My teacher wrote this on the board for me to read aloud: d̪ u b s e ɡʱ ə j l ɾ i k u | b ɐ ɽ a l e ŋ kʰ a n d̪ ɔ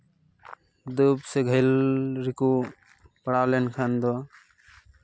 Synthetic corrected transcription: d̪ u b s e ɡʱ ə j l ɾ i k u | p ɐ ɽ a l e n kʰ a n d̪ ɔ